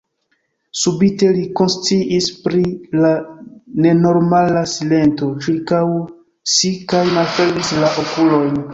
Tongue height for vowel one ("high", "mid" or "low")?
high